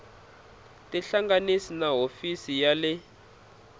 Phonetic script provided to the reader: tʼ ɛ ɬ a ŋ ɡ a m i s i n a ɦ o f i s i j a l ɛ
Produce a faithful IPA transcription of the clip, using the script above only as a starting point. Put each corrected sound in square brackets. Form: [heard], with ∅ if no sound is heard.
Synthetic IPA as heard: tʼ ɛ ɬ a ŋ ɡ a [n] i s i n a ɦ o f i s i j a l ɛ